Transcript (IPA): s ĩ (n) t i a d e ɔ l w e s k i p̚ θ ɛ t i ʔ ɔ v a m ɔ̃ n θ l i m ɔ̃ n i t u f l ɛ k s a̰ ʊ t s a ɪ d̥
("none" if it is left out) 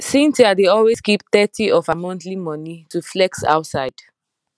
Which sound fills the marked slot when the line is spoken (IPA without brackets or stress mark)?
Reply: n